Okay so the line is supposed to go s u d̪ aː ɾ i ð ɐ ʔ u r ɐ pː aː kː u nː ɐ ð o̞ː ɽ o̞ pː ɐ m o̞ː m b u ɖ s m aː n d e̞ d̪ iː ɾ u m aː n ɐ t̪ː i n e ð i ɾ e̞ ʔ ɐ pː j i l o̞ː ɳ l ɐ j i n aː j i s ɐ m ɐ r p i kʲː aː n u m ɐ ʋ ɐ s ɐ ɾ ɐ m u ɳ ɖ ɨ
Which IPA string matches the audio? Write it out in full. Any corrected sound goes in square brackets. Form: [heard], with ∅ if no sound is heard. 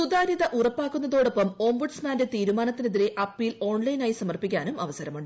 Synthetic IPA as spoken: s u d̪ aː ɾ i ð ɐ ʔ u r ɐ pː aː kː u nː ɐ ð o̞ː ɽ o̞ pː ɐ m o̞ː m b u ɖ s m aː n d e̞ [t̪] iː ɾ u m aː n ɐ t̪ː i n e ð i ɾ e̞ ʔ ɐ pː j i l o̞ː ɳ l ɐ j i n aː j i s ɐ m ɐ r p i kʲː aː n u m ɐ ʋ ɐ s ɐ ɾ ɐ m u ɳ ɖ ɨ

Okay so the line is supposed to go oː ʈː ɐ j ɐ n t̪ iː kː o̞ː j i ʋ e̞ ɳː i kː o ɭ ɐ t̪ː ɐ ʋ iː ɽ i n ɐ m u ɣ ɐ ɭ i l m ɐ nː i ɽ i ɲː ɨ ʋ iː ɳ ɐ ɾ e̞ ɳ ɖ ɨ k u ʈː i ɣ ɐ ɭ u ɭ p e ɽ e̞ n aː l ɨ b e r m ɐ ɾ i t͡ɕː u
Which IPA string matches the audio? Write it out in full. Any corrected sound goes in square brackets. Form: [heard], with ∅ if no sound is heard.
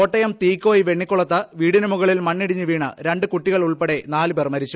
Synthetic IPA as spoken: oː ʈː ɐ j ɐ [m] t̪ iː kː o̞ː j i ʋ e̞ ɳː i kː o ɭ ɐ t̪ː ɐ ʋ iː ɽ i n ɐ m u ɣ ɐ ɭ i l m ɐ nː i ɽ i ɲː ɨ ʋ iː ɳ ɐ ɾ e̞ ɳ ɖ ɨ k u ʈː i ɣ ɐ ɭ u ɭ p e ɽ e̞ n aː l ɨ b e r m ɐ ɾ i t͡ɕː u

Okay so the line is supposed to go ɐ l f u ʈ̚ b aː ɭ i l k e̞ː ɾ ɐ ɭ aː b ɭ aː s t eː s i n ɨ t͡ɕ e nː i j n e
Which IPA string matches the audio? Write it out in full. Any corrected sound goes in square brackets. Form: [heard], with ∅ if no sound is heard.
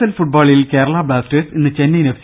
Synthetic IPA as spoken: ɐ l f u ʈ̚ b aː ɭ i l k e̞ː ɾ ɐ ɭ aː b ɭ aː s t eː s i [nː] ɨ t͡ɕ e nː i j n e

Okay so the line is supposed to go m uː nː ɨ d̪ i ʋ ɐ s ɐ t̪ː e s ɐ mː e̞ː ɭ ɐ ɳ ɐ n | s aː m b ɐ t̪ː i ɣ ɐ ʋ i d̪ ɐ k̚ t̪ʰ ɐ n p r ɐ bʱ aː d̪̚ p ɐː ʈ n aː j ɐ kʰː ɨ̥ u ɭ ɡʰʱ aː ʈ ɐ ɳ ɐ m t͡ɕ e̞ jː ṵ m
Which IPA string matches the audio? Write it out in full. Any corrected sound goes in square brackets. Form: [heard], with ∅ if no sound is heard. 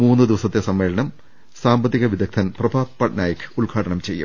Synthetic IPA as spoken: m uː nː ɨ d̪ i ʋ ɐ s ɐ t̪ː e s ɐ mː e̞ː ɭ ɐ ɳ ɐ [m] | s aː m b ɐ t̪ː i ɣ ɐ ʋ i d̪ ɐ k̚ t̪ʰ ɐ n p r ɐ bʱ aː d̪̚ p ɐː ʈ n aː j ɐ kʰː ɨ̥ u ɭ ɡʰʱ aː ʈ ɐ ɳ ɐ m t͡ɕ e̞ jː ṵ m

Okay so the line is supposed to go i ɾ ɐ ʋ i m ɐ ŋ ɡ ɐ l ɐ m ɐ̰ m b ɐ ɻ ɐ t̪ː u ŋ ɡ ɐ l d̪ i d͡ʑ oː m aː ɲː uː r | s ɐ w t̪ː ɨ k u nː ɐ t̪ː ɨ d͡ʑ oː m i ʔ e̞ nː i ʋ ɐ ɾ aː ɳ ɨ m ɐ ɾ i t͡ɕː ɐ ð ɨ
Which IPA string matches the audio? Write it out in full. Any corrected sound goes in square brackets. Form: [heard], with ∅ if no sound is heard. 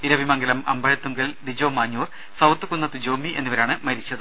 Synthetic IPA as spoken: i ɾ ɐ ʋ i m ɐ ŋ ɡ ɐ l ɐ m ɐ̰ m b ɐ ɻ ɐ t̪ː u ŋ ɡ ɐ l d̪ i d͡ʑ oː m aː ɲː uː r | s ɐ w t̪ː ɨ k u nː ɐ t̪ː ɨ d͡ʑ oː m i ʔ e̞ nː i ʋ ɐ ɾ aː ɳ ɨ m ɐ ɾ i t͡ɕː ɐ ð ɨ

